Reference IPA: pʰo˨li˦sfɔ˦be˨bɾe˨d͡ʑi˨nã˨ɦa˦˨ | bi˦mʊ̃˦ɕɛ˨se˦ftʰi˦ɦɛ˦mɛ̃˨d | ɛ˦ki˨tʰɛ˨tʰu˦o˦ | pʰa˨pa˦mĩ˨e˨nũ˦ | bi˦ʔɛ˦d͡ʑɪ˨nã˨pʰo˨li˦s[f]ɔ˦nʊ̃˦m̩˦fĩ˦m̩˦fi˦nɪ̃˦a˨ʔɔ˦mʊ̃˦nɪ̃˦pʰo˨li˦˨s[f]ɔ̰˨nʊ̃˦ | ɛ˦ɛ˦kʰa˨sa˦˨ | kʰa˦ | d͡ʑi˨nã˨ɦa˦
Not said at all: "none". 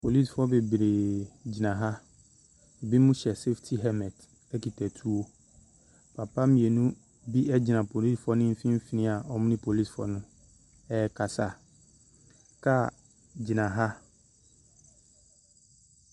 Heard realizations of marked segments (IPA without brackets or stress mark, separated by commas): f, f